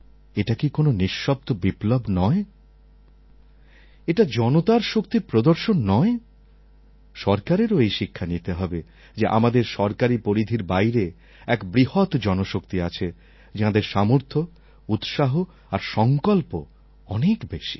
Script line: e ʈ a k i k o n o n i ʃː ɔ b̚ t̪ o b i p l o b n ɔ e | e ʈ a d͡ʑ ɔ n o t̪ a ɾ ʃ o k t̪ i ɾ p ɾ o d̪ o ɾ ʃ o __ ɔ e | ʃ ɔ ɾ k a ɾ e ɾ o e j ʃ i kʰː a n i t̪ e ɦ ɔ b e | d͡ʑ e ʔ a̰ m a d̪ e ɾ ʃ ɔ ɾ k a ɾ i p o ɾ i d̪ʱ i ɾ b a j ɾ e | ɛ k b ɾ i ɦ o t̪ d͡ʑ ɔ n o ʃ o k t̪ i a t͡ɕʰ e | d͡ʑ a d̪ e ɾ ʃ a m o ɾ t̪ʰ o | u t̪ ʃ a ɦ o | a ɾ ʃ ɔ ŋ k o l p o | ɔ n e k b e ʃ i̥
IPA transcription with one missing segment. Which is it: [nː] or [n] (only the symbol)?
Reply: nː